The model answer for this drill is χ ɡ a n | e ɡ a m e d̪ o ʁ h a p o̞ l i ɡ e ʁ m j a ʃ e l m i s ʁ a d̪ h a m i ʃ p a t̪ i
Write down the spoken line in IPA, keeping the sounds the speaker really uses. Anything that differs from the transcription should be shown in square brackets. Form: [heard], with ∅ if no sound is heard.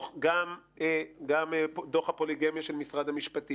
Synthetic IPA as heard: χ ɡ a [m] | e ɡ a m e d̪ o [χ] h a p o̞ l i ɡ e [∅] m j a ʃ e l m i s ʁ a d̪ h a m i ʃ p a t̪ i